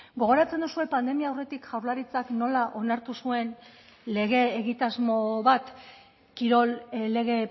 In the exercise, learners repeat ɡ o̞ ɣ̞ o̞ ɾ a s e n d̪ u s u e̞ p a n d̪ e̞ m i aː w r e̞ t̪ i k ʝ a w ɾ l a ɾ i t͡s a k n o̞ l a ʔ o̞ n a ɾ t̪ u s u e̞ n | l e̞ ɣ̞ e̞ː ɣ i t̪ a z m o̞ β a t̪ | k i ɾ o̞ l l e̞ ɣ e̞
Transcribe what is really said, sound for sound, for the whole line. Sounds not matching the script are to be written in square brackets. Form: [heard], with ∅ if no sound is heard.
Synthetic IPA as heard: ɡ o̞ ɣ̞ o̞ ɾ a [t͡s] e n d̪ u s u e̞ p a n d̪ e̞ m i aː w r e̞ t̪ i k ʝ a w ɾ l a ɾ i t͡s a k n o̞ l a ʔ o̞ n a ɾ t̪ u s u e̞ n | l e̞ ɣ̞ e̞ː ɣ i t̪ a z m o̞ β a t̪ | k i ɾ o̞ l l e̞ ɣ e̞